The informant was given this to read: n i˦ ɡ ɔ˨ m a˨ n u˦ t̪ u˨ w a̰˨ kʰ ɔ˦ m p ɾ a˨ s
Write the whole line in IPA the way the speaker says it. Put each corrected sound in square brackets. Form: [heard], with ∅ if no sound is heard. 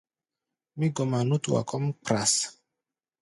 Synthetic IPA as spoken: [m] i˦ ɡ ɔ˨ m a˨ n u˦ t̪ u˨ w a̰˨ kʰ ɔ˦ m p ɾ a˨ s